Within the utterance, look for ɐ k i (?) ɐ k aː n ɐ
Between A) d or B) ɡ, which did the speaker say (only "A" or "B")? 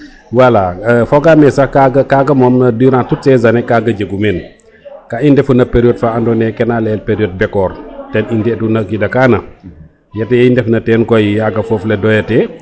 A